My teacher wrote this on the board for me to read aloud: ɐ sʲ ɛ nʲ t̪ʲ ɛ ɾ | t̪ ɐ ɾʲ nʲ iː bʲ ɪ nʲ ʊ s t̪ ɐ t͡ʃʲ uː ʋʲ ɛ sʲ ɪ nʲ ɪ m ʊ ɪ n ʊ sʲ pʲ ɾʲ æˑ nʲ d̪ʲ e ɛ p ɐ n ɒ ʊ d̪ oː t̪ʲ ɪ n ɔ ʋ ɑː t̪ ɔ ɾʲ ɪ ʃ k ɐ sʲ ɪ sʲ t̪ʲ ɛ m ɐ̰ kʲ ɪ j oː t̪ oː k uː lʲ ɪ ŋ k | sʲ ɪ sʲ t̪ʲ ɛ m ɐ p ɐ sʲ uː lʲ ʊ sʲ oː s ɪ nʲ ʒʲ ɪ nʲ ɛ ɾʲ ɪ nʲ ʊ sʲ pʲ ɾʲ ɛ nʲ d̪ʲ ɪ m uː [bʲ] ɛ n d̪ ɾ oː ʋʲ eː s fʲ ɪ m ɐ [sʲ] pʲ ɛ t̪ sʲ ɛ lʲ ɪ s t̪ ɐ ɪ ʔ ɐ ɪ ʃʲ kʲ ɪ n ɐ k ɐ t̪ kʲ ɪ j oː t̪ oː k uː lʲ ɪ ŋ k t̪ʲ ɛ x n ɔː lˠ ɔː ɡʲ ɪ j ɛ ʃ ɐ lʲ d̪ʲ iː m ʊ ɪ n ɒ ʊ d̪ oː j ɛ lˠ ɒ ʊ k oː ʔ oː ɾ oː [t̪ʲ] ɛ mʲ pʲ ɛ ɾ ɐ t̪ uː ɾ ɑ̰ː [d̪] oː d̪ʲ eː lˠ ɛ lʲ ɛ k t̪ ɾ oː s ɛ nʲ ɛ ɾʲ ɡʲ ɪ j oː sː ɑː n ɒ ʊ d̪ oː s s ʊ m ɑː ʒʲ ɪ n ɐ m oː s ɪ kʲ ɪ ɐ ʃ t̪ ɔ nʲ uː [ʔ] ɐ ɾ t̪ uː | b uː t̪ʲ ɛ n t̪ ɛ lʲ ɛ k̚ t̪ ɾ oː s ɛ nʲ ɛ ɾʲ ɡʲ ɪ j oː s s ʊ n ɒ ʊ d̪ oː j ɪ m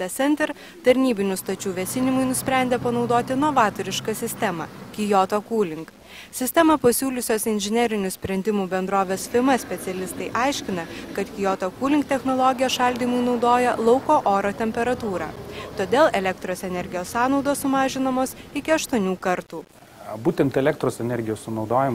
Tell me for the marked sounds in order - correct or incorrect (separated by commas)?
correct, correct, correct, incorrect, incorrect